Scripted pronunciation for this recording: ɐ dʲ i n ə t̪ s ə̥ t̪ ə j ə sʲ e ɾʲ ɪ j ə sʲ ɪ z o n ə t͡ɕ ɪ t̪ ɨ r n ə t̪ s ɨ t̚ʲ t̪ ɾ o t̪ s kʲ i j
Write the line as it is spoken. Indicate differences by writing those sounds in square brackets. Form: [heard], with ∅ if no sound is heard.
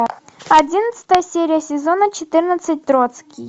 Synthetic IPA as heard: ɐ dʲ i n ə t̪ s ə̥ t̪ ə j ə sʲ e ɾʲ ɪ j ə sʲ ɪ z o n ə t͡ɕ ɪ t̪ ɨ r n ə t̪ s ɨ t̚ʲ t̪ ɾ o t̪ s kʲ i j